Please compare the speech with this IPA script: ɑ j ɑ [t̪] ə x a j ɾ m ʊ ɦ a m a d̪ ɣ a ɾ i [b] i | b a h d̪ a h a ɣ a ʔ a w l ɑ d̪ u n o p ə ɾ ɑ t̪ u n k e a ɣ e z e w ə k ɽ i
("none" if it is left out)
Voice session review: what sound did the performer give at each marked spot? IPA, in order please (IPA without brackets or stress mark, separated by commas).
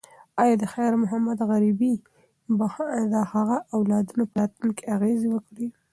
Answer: d̪, b